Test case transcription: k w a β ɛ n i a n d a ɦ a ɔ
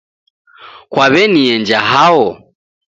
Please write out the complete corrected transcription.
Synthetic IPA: k w a β ɛ n i ɛ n d͡ʒ a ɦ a ɔ